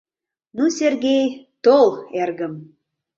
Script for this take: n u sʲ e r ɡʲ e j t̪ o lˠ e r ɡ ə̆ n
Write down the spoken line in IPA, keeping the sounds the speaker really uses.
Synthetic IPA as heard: n u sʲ e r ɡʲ e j t̪ o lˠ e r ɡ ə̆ m